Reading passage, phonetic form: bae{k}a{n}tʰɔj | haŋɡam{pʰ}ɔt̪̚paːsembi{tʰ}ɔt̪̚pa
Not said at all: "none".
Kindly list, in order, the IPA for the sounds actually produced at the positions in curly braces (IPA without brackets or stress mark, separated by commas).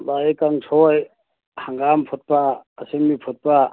k, ŋ, pʰ, pʰ